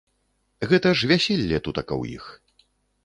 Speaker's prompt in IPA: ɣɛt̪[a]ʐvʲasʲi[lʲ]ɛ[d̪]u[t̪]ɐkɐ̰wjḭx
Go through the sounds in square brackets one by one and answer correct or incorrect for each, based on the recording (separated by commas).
incorrect, incorrect, incorrect, correct